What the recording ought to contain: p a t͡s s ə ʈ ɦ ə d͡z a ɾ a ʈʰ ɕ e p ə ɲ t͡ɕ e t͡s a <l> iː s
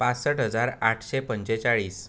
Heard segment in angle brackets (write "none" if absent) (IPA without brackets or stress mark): ɭ